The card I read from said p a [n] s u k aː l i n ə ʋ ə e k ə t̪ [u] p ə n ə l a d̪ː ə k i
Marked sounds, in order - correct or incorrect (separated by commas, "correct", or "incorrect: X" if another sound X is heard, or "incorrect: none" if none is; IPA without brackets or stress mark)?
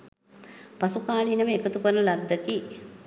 incorrect: none, correct